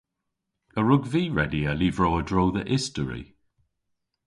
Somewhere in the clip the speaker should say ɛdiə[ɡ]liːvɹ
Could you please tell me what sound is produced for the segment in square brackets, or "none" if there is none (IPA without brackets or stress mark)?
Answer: none